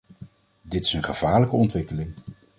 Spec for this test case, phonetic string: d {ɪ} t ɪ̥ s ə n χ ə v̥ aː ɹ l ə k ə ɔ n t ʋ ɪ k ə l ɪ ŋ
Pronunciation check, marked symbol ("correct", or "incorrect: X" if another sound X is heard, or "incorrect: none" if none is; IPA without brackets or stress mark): correct